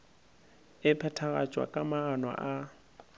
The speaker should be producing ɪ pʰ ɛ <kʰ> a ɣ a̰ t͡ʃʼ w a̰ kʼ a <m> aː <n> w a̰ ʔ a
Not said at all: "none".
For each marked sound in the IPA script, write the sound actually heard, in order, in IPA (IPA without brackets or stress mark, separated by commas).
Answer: tʰ, m, n